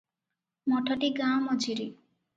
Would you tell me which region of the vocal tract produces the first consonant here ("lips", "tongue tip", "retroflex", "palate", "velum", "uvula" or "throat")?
lips